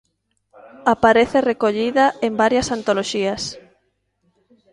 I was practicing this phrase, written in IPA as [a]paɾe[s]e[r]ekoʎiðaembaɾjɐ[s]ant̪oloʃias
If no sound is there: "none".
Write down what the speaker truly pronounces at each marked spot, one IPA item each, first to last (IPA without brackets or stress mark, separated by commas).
a, θ, r, s